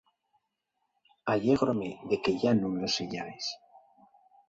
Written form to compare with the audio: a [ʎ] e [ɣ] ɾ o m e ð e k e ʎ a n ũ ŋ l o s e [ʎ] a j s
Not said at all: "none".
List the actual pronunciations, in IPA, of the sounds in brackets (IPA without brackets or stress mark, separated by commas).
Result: ʎ, ɣ, ʎ